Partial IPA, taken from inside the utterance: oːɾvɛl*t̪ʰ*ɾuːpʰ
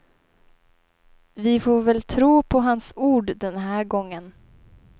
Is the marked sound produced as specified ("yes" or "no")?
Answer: yes